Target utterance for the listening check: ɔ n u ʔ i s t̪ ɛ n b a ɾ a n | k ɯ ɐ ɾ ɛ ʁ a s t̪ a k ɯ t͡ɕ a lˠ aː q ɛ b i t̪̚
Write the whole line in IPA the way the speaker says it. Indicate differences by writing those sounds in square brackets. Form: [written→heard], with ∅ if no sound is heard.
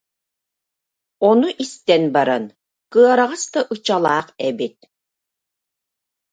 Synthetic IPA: ɔ n u ʔ i s t̪ ɛ n b a ɾ a n | k ɯ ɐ ɾ [ɛ→a] ʁ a s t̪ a [k→ʔ] ɯ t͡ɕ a lˠ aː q ɛ b i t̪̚